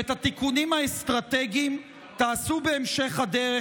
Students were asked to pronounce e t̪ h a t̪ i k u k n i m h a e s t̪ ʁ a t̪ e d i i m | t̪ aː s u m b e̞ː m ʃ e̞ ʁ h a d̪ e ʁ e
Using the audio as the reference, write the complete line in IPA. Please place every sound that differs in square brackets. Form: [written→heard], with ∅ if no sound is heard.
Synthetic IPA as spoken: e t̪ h a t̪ i k u [k→∅] n i m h a e s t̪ ʁ a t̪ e [d→ɡ] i i m | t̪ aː s u [m→∅] b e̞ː m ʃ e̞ [ʁ→χ] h a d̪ e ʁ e